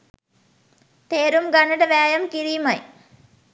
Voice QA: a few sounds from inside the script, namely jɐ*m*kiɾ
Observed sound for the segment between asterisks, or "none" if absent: m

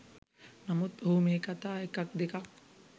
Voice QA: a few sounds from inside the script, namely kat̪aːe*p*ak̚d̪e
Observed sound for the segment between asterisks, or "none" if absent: k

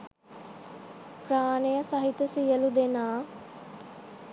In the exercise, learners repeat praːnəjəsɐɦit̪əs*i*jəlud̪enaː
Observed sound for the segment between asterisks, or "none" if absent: i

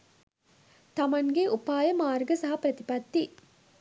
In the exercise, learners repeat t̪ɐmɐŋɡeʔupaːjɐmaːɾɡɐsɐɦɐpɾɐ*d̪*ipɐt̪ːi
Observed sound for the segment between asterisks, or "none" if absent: t̪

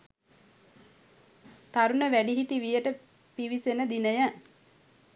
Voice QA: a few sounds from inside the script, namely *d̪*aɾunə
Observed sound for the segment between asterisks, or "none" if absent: t̪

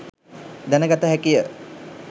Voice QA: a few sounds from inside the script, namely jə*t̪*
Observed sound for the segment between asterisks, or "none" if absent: none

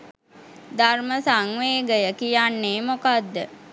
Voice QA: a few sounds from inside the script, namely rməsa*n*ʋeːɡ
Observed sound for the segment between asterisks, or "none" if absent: ŋ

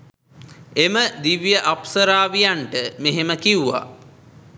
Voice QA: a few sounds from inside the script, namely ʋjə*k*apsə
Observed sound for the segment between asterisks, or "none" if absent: ʔ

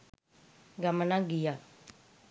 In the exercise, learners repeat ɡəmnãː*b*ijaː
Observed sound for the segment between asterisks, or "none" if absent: ɡ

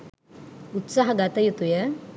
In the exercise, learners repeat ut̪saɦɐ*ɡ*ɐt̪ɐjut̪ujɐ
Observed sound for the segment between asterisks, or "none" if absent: ɡ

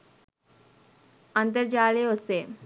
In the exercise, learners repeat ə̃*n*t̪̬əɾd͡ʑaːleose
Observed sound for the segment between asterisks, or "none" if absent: n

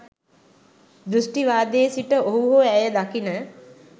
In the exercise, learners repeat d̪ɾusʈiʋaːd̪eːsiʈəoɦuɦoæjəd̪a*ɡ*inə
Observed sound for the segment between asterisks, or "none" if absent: k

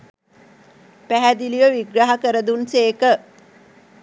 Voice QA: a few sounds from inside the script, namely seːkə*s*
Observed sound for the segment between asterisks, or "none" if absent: none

